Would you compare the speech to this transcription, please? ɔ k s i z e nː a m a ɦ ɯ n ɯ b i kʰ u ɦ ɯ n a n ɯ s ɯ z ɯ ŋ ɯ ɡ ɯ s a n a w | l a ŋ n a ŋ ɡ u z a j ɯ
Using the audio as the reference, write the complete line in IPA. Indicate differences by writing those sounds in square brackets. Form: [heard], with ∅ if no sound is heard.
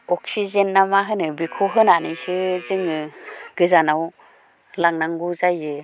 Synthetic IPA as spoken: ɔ k s i z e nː a m a ɦ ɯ n ɯ b i kʰ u ɦ ɯ n a n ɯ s ɯ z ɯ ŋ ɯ ɡ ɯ [z] a n a w | l a ŋ n a ŋ ɡ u z a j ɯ